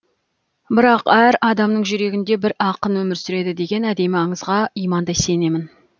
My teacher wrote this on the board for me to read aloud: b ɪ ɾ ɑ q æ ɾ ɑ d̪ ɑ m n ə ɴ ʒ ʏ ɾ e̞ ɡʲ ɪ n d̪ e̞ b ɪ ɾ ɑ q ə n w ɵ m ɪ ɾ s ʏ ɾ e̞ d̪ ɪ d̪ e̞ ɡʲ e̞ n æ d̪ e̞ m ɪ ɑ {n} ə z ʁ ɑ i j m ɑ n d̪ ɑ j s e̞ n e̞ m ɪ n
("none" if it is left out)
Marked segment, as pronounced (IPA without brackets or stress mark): ɴ